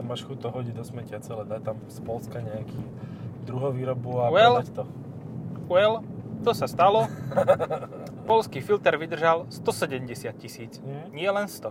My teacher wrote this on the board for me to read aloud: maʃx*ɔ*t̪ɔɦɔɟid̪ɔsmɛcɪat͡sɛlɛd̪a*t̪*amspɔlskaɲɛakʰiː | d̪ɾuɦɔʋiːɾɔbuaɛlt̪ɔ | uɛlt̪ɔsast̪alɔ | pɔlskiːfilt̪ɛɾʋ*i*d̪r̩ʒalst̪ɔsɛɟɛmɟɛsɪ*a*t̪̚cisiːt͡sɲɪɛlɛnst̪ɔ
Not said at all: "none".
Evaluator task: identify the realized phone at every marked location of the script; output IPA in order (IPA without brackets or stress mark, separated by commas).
u, t̪, i, a